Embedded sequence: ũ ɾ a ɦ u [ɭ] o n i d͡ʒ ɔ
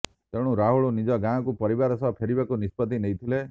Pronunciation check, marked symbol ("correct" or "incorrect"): correct